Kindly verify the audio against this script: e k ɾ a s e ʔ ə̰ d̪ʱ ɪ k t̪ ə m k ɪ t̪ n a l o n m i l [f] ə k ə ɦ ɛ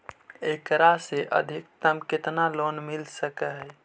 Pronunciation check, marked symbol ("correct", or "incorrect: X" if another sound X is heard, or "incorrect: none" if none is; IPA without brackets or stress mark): incorrect: s